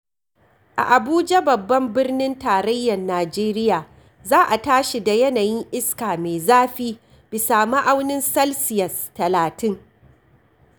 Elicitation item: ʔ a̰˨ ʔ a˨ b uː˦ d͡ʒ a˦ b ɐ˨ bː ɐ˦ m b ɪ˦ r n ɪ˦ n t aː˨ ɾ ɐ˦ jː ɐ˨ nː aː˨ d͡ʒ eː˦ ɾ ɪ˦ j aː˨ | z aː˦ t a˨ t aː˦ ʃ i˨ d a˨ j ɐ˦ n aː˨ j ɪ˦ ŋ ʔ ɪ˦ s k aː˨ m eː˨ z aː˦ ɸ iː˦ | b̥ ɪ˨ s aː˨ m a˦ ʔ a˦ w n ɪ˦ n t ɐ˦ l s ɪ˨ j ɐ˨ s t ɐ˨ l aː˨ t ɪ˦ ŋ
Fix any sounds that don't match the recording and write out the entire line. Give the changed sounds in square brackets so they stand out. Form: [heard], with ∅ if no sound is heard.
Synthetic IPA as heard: ʔ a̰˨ ʔ a˨ b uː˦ d͡ʒ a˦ b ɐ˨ bː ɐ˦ m b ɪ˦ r n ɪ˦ n t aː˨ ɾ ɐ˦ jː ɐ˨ nː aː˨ d͡ʒ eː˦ ɾ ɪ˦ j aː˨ | z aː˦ [ʔ] a˨ t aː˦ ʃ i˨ d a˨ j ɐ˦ n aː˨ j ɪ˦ ŋ ʔ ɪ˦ s k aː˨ m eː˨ z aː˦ ɸ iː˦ | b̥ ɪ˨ s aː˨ m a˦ ʔ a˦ w n ɪ˦ n [s] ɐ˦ l s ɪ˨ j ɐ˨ s t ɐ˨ l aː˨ t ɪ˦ ŋ